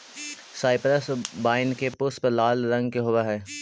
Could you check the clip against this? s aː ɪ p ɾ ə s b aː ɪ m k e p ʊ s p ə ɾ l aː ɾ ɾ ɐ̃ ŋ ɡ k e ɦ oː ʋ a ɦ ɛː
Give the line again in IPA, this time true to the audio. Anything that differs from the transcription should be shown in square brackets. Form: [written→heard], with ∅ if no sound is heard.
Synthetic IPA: s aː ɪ p ɾ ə s b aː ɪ [m→n] k e p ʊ s p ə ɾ l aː [ɾ→l] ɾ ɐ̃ ŋ ɡ k e ɦ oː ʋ a ɦ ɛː